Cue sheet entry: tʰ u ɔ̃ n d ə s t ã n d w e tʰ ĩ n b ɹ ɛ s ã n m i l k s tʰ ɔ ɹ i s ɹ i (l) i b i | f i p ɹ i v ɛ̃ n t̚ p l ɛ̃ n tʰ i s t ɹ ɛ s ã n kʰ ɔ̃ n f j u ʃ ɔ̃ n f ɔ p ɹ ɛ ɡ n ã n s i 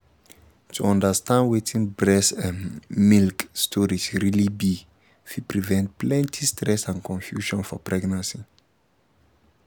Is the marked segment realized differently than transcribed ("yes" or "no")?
no